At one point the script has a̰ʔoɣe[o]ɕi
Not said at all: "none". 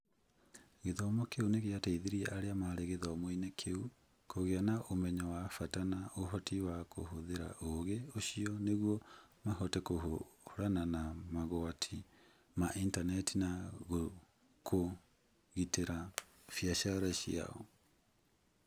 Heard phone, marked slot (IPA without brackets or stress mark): o